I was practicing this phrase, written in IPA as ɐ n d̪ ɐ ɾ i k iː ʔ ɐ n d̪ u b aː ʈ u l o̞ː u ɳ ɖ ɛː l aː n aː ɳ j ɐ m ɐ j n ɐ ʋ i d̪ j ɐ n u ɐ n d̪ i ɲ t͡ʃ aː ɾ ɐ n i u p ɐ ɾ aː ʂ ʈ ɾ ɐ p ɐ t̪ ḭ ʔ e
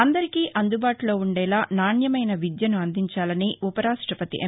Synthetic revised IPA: ɐ n d̪ ɐ ɾ i k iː ʔ ɐ n d̪ u b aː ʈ u l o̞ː u ɳ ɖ ɛː l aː n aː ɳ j ɐ m ɐ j n ɐ ʋ i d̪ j ɐ n u ɐ n d̪ i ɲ t͡ʃ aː l ɐ n i u p ɐ ɾ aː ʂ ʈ ɾ ɐ p ɐ t̪ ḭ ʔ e

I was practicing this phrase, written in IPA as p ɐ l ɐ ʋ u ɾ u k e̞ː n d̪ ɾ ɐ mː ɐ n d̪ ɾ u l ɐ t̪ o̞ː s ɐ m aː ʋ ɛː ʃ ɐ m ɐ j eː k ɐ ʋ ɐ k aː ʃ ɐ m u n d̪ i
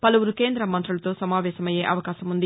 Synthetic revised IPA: p ɐ l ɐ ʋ u ɾ u k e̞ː n d̪ ɾ ɐ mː ɐ n t̪ ɾ u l ɐ t̪ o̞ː s ɐ m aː ʋ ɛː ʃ ɐ m ɐ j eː ʔ ɐ ʋ ɐ k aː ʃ ɐ m u n d̪ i

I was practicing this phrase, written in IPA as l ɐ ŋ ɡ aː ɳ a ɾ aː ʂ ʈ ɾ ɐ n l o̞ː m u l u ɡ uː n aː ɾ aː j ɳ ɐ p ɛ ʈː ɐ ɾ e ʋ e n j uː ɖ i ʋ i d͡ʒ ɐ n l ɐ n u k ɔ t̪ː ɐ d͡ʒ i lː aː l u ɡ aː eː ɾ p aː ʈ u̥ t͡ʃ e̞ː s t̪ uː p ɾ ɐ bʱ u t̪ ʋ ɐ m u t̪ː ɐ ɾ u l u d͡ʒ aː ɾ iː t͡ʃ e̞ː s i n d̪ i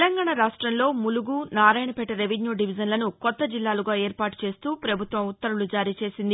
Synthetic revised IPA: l ɐ ŋ ɡ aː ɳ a ɾ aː ʂ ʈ ɾ ɐ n l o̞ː m u l u ɡ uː n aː ɾ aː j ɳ ɐ p ɛ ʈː ɐ ɾ e ʋ e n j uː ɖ i ʋ i d͡ʒ ɐ n l ɐ n u k ɔ t̪ː ɐ d͡ʒ i lː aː l u ɡ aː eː ɾ p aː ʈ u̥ t͡ʃ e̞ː s t̪ uː p ɾ ɐ bʱ u t̪ ʋ ɐ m u t̪ː ɐ ɾ u l u d͡ʒ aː ɾ iː t͡ʃ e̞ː s i n d̪ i

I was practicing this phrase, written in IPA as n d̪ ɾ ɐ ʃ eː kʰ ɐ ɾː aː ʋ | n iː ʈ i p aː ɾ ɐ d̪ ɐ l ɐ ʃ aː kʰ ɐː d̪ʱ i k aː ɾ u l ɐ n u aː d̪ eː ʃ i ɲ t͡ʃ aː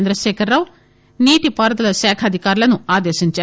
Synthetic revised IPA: n d̪ ɾ ɐ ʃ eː kʰ ɐ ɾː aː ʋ | n iː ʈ i p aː ɾ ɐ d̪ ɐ l ɐ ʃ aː kʰ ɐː d̪ʱ i k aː ɾ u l ɐ n u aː d̪ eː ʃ i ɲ t͡ʃ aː

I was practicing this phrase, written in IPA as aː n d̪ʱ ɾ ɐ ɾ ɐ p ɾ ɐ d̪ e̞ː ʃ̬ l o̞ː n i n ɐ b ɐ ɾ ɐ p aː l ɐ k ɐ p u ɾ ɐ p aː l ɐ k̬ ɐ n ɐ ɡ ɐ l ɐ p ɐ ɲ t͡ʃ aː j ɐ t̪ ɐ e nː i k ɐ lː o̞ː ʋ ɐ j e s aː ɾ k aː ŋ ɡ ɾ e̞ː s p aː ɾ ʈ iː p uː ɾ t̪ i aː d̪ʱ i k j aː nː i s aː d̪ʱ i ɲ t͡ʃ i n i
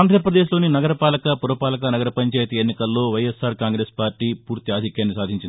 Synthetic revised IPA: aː n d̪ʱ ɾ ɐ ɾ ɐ p ɾ ɐ d̪ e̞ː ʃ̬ l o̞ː n i n ɐ ɡ ɐ ɾ ɐ p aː l ɐ k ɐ p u ɾ ɐ p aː l ɐ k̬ ɐ n ɐ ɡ ɐ ɾ ɐ p ɐ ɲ t͡ʃ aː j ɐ t̪ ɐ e nː i k ɐ lː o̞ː ʋ ɐ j e s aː ɾ k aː ŋ ɡ ɾ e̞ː s p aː ɾ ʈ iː p uː ɾ t̪ i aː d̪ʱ i k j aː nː i s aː d̪ʱ i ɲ t͡ʃ i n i

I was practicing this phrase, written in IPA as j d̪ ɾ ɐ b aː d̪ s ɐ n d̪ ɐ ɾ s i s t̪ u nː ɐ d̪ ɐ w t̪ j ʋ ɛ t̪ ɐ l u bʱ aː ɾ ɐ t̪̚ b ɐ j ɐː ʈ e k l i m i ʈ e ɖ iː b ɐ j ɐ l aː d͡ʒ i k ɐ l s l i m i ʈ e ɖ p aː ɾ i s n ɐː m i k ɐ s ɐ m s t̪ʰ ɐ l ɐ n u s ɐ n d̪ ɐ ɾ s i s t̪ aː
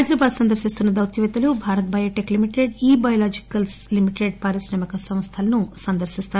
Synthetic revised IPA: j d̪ ɾ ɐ b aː d̪ s ɐ n d̪ ɐ ɾ s i s t̪ u nː ɐ d̪ ɐ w t̪ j ʋ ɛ t̪ ɐ l u bʱ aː ɾ ɐ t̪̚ b ɐ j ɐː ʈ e k l i m i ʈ e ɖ iː b ɐ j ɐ l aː d͡ʒ i k ɐ l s l i m i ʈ e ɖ p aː ɾ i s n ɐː m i k ɐ s ɐ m s t̪ʰ ɐ l ɐ n u s ɐ n d̪ ɐ ɾ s i s t̪ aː

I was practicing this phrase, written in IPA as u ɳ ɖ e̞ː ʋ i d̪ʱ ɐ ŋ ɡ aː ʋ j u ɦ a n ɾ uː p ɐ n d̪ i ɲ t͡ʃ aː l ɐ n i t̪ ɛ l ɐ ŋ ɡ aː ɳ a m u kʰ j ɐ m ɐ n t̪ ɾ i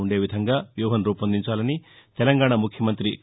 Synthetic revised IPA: u ɳ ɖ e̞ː ʋ i d̪ʱ ɐ ŋ ɡ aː ʋ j uː ɦ ɐ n ɾ uː p ɐ n d̪ i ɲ t͡ʃ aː l ɐ n i t̪ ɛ l ɐ ŋ ɡ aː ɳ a m u kʰ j ɐ m ɐ n t̪ ɾ i

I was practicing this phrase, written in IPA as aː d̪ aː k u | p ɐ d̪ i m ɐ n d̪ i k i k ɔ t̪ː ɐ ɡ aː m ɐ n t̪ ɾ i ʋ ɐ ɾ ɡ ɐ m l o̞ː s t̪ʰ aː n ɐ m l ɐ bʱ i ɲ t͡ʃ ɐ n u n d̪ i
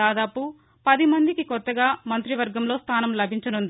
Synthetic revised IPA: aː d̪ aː p u | p ɐ d̪ i m ɐ n d̪ i k i k ɔ t̪ː ɐ ɡ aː m ɐ n t̪ ɾ i ʋ ɐ ɾ ɡ ɐ m l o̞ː s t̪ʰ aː n ɐ m l ɐ bʱ i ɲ t͡ʃ ɐ n u n d̪ i

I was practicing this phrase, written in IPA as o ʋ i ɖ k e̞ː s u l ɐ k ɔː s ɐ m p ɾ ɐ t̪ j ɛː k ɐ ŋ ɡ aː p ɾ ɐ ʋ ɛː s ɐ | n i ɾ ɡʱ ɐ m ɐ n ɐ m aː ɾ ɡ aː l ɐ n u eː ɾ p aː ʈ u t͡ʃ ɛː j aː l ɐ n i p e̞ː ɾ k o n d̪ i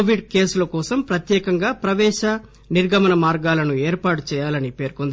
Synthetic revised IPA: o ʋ i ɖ k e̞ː s u l ɐ k ɔː s ɐ m p ɾ ɐ t̪ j ɛː k ɐ ŋ ɡ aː p ɾ ɐ ʋ ɛː ʃ ɐ | n i ɾ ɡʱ ɐ m ɐ n ɐ m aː ɾ ɡ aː l ɐ n u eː ɾ p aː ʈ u t͡ʃ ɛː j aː l ɐ n i p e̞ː ɾ k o n d̪ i

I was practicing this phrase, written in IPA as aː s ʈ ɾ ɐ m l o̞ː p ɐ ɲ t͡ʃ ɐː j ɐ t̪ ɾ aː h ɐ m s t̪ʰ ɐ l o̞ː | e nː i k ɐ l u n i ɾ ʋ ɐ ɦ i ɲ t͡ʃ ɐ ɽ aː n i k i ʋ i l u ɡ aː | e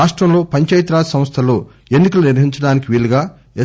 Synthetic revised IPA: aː ʂ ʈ ɾ ɐ m l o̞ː p ɐ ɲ t͡ʃ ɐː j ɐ t̪ ɾ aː s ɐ m s t̪ʰ ɐ l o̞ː | e nː i k ɐ l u n i ɾ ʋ ɐ ɦ i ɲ t͡ʃ ɐ ɽ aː n i k i ʋ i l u ɡ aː | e

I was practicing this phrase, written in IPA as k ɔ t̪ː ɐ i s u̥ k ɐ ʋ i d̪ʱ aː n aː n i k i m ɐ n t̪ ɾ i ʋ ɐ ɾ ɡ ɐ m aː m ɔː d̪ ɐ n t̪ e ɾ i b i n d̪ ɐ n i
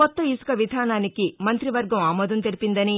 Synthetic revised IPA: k ɔ t̪ː ɐ i s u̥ k ɐ ʋ i d̪ʱ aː n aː n i k i m ɐ n t̪ ɾ i ʋ ɐ ɾ ɡ ɐ m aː m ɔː d̪ ɐ n t̪ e ɾ i p i n d̪ ɐ n i

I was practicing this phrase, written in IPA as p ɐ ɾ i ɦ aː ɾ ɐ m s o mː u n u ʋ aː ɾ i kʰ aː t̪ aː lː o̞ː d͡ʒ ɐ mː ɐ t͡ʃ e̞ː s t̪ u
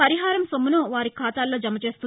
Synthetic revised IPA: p ɐ ɾ i ɦ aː ɾ ɐ m s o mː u n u ʋ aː ɾ i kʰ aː t̪ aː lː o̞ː d͡ʒ ɐ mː ɐ t͡ʃ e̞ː s t̪ u

